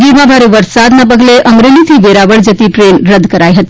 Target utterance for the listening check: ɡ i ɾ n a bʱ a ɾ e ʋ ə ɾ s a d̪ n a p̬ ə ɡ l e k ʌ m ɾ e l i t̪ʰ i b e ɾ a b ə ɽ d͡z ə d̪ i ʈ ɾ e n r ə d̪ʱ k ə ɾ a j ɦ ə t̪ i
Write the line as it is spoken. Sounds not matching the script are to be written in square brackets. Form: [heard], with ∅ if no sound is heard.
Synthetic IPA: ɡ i ɾ [m] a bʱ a ɾ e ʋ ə ɾ s a d̪ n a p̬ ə ɡ l e [ʔ] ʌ m ɾ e l i t̪ʰ i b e ɾ a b ə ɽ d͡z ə [t̪] i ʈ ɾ e n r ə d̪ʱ k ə ɾ a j ɦ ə t̪ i